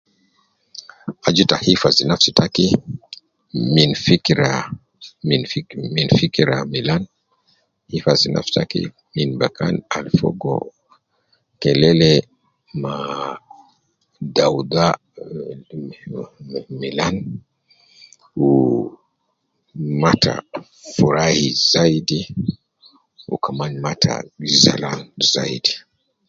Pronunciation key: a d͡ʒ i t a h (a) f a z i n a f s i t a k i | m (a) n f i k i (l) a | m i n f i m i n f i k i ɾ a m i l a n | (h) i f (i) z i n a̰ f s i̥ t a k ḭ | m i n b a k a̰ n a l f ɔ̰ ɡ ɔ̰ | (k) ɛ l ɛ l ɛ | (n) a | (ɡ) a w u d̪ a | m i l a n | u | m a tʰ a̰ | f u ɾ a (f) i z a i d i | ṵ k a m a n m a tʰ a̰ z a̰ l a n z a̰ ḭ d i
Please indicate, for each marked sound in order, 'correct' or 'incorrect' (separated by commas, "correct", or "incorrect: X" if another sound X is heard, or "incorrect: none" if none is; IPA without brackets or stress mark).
incorrect: i, incorrect: i, incorrect: ɾ, correct, incorrect: a, correct, incorrect: m, incorrect: d, incorrect: h